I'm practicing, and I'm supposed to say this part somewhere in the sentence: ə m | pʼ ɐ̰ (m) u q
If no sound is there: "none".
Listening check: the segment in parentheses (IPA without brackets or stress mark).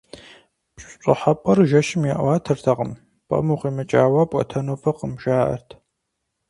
m